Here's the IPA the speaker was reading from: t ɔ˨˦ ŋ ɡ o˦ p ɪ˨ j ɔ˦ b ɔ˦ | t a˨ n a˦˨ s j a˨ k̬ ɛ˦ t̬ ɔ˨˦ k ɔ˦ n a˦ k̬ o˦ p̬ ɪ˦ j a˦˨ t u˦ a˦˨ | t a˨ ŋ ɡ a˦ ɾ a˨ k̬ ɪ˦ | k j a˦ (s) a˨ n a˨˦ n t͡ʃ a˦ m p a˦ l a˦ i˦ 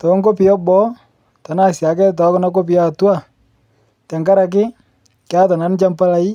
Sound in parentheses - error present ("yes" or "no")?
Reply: yes